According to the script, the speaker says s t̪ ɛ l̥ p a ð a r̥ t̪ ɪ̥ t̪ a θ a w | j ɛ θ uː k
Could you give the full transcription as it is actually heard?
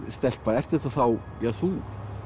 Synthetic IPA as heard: s t̪ ɛ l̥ p a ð ɛ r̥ t̪ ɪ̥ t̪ a θ a w | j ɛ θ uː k